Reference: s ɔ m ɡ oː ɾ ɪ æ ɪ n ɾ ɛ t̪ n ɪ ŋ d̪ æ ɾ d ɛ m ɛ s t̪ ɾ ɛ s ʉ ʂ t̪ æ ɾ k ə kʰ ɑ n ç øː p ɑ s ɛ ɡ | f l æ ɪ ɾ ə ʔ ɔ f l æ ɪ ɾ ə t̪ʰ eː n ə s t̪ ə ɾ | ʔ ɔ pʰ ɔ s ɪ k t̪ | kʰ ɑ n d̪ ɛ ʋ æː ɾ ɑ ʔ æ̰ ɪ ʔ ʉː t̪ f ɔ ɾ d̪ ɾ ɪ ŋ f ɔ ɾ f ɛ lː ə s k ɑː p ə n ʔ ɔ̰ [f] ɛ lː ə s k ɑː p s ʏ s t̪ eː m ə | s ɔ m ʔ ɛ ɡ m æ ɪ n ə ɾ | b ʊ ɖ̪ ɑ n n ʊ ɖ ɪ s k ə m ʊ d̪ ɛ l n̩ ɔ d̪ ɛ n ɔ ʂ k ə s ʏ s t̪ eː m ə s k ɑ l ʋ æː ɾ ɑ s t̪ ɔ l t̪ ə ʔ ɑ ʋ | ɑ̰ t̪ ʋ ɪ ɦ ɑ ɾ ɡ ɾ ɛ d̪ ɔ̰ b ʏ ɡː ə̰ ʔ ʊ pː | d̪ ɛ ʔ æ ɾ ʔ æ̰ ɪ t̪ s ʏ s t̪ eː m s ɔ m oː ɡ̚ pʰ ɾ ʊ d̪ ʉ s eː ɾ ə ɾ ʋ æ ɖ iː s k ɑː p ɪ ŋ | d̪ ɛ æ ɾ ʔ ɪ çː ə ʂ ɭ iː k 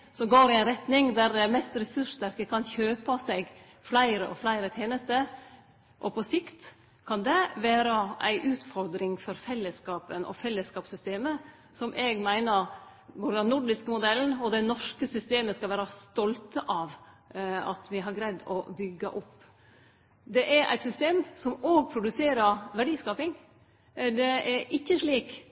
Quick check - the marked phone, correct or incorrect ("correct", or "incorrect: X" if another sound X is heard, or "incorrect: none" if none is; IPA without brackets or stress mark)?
correct